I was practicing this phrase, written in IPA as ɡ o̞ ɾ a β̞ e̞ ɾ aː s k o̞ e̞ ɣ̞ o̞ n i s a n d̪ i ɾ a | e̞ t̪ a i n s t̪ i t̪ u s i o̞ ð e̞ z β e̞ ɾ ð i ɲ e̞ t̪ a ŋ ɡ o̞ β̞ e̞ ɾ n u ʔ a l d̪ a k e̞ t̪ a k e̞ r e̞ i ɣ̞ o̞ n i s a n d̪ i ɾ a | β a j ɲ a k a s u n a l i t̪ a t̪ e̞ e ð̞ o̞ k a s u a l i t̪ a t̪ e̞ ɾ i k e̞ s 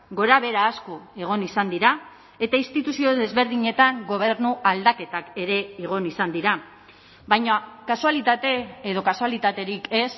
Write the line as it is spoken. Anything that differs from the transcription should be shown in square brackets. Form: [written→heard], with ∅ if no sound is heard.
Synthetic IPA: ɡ o̞ ɾ a β̞ e̞ ɾ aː s k o̞ e̞ ɣ̞ o̞ n i s a n d̪ i ɾ a | e̞ t̪ a i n s t̪ i t̪ u s i o̞ ð e̞ z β e̞ ɾ ð i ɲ e̞ t̪ a ŋ ɡ o̞ β̞ e̞ ɾ n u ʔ a l d̪ a k e̞ t̪ a k e̞ [r→ɾ] e̞ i ɣ̞ o̞ n i s a n d̪ i ɾ a | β a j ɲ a k a s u [n→∅] a l i t̪ a t̪ e̞ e ð̞ o̞ k a s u a l i t̪ a t̪ e̞ ɾ i k e̞ s